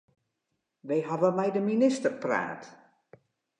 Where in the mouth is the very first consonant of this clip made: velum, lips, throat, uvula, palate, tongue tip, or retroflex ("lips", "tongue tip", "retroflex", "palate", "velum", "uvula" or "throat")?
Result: lips